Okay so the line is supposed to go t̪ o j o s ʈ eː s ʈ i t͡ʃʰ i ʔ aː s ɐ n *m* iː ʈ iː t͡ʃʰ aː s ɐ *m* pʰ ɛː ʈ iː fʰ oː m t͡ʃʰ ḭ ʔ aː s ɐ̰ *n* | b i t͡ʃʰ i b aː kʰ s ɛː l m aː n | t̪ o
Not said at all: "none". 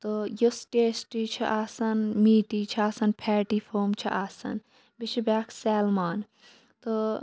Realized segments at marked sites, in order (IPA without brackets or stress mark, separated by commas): m, n, n